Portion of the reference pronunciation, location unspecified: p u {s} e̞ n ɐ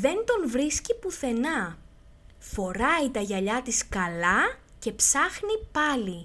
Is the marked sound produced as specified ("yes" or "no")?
no